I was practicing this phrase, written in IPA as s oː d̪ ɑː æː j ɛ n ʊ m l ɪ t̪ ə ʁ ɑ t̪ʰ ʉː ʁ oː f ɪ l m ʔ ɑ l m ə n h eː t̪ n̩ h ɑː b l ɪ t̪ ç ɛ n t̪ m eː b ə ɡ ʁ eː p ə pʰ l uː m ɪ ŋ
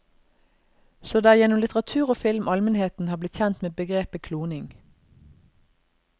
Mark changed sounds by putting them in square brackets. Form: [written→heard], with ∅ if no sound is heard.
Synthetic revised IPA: s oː d̪ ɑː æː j ɛ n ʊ m l ɪ t̪ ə ʁ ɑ t̪ʰ ʉː ʁ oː f ɪ l m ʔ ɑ l m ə n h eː t̪ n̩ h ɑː b l ɪ t̪ ç ɛ n t̪ m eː b ə ɡ ʁ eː p ə [pʰ→kʰ] l uː [m→n] ɪ ŋ